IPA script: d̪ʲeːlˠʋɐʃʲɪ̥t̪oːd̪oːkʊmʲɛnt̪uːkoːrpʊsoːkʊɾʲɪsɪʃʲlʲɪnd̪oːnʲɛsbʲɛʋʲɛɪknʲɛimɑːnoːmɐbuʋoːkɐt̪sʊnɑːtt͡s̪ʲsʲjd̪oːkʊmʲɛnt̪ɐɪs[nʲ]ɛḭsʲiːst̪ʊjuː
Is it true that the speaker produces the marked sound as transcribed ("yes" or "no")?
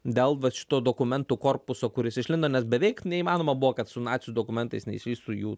yes